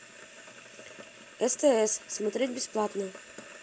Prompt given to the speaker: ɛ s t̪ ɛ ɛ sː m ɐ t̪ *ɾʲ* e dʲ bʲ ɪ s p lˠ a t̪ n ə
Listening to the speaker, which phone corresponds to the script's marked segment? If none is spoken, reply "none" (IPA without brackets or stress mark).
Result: ɾʲ